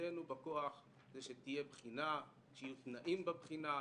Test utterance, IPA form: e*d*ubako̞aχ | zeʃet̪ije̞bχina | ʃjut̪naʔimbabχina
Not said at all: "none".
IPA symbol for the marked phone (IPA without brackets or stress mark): n